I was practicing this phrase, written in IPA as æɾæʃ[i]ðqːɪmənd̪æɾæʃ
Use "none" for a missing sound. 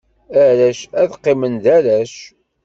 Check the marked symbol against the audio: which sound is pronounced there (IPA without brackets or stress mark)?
æ